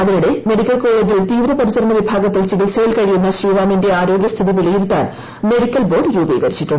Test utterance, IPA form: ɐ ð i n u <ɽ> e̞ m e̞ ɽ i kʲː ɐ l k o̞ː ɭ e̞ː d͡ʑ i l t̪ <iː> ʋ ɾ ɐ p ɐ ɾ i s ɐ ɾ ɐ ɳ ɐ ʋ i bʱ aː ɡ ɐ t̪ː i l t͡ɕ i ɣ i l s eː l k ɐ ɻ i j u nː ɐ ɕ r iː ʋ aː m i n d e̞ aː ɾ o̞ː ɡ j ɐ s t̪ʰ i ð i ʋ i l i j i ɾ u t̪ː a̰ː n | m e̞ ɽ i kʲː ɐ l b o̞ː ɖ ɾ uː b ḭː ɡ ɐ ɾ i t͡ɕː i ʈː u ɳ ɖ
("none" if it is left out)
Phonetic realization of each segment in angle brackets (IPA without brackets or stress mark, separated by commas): ɽ, iː